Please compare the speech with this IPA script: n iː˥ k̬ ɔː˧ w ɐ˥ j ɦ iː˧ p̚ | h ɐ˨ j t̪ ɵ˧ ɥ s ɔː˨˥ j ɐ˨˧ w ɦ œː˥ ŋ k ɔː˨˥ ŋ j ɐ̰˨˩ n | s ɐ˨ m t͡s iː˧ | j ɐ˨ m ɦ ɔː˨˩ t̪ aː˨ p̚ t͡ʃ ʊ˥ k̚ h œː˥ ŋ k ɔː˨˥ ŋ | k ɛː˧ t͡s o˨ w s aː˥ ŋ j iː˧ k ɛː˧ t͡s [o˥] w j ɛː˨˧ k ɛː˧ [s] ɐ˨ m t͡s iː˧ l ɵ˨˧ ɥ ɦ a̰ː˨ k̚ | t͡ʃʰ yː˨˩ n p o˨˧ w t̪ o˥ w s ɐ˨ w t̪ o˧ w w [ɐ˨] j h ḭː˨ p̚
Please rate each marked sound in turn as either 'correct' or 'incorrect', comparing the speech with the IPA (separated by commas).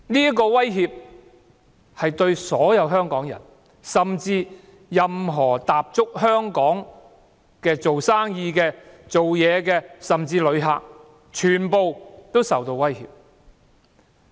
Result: incorrect, correct, incorrect